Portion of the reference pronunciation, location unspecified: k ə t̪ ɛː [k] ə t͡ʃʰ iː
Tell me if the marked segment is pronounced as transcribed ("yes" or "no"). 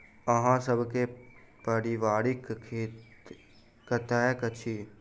yes